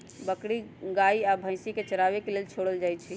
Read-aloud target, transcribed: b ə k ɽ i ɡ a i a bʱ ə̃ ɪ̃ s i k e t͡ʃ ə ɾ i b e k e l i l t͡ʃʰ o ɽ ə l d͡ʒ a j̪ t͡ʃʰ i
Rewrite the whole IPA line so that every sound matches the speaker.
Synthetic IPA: b ə k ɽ i ɡ a i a bʱ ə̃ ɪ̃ s i k e t͡ʃ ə ɾ a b e k e l e l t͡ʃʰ o ɽ ə l d͡ʒ a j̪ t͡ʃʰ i